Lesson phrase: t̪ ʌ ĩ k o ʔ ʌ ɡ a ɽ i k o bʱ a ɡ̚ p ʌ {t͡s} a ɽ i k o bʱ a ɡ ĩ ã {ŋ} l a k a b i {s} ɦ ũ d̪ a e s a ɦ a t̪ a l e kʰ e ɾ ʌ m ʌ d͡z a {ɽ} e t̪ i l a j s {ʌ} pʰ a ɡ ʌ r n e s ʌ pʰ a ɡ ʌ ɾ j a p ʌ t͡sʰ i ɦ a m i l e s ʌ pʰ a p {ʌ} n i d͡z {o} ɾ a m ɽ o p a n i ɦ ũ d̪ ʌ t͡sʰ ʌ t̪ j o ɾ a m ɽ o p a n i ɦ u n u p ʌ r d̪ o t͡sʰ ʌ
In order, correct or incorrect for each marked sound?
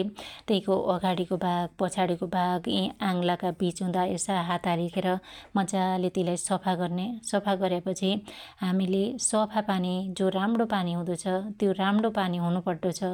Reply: incorrect: t͡sʰ, correct, incorrect: t͡s, incorrect: l, correct, incorrect: a, correct

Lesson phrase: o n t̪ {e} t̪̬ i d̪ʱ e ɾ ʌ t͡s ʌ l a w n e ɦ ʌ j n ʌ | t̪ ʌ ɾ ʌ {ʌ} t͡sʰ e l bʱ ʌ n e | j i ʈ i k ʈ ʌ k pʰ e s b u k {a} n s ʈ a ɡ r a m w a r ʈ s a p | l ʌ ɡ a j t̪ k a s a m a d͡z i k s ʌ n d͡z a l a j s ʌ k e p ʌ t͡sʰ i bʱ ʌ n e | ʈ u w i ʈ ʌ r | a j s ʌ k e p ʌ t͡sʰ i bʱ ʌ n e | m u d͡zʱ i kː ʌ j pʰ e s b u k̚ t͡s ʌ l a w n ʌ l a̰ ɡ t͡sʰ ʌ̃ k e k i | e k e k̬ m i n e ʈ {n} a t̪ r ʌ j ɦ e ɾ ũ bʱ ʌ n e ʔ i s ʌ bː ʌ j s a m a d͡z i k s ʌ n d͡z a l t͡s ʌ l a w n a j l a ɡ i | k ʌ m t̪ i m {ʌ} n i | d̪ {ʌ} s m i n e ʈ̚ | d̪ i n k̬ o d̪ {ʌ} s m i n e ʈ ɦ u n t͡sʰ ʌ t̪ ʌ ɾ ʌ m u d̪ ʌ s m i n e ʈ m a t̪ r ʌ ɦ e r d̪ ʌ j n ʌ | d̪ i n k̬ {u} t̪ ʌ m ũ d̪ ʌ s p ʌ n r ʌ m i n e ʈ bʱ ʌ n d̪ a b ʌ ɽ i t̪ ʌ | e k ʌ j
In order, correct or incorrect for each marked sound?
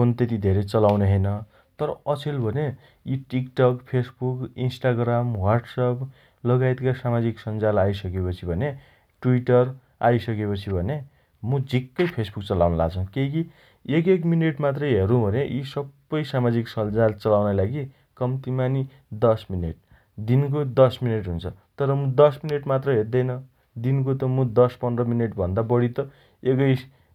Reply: correct, correct, incorrect: i, incorrect: m, incorrect: a, correct, correct, incorrect: o

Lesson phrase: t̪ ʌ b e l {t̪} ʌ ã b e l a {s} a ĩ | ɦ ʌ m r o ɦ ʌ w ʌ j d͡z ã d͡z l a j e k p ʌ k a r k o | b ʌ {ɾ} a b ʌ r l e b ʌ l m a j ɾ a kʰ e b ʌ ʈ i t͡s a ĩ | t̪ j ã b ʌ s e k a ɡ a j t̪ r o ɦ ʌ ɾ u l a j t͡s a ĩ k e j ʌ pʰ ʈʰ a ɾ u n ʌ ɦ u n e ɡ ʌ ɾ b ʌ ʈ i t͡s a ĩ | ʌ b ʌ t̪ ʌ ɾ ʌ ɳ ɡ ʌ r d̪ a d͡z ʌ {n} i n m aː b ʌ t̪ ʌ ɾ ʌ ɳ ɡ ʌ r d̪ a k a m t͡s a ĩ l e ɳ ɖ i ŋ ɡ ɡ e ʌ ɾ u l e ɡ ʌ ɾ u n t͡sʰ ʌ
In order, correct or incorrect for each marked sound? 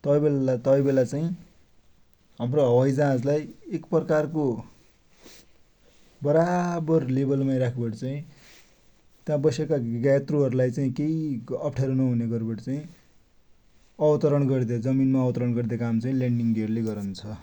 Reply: correct, incorrect: t͡s, correct, incorrect: m

